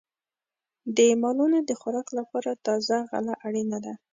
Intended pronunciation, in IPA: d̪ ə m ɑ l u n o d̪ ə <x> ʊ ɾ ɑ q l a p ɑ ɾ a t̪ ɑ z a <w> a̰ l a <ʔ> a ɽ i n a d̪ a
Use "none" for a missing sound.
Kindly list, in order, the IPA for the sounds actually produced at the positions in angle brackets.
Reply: x, ɣ, ʔ

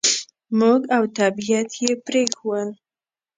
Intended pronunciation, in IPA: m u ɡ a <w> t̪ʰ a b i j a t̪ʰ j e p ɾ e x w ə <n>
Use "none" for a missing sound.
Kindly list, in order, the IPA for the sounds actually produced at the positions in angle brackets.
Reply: w, n

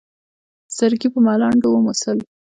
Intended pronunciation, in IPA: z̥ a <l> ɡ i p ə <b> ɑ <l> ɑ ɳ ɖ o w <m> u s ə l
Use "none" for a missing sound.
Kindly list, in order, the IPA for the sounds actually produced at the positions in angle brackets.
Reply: ɾ, m, l, m

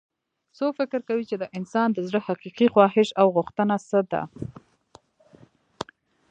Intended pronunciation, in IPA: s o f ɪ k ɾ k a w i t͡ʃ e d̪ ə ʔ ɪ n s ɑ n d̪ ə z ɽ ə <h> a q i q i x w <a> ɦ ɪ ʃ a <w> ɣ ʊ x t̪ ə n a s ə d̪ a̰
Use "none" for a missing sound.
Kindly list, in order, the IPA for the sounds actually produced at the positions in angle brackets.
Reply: h, ɑ, w

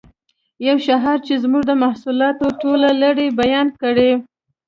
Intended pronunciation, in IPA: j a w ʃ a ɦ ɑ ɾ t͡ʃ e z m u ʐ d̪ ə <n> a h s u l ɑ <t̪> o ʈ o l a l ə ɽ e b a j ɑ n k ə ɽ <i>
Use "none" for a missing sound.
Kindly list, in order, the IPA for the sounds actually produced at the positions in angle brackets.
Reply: m, t̪, e

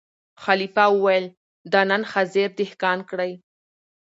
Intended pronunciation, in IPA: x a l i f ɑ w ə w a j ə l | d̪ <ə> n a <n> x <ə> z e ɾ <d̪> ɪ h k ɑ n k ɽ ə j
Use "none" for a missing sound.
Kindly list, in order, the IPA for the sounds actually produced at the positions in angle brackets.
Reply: ɑ, n, a, d̪

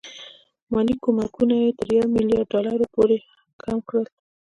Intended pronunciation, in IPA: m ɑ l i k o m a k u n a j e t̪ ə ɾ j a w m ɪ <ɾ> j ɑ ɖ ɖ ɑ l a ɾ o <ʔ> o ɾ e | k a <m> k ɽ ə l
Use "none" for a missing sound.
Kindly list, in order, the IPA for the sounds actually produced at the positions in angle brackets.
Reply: l, p, m

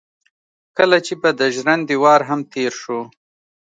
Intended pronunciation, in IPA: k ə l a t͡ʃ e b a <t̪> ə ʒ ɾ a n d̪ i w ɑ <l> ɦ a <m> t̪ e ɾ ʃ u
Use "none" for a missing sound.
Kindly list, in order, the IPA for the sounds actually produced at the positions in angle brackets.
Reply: d̪, ɾ, m

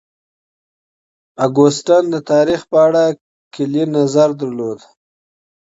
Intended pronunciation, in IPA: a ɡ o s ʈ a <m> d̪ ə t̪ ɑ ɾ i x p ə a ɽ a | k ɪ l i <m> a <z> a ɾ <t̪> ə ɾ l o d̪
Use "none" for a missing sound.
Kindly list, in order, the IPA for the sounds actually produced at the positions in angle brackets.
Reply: n, n, z, d̪

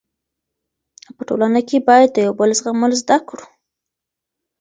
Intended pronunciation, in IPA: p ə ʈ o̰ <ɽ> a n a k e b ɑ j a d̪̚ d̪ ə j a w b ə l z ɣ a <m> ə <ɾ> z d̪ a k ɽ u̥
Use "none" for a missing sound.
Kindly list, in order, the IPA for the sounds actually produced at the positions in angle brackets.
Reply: l, m, l

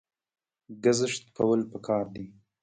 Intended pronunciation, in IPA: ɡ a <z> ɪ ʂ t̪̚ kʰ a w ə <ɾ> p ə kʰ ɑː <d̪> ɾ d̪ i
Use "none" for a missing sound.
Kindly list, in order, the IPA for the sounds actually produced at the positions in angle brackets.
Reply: z, l, none

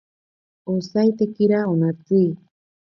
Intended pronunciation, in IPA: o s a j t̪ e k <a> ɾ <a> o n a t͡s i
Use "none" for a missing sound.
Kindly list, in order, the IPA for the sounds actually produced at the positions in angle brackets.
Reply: i, a

